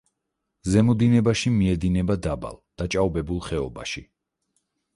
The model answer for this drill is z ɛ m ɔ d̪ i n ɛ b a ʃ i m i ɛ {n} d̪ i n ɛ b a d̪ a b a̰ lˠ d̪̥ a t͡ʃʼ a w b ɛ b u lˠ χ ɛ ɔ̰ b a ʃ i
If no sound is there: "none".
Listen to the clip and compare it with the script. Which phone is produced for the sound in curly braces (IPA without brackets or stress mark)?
none